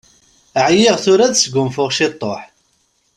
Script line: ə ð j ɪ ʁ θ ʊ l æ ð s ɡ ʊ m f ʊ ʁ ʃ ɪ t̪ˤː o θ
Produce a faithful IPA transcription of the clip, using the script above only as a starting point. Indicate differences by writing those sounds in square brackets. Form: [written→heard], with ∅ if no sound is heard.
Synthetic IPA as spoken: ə [ð→ʕ] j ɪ ʁ θ ʊ [l→ɾ] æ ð s ɡ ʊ m f ʊ ʁ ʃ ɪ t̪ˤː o [θ→ħ]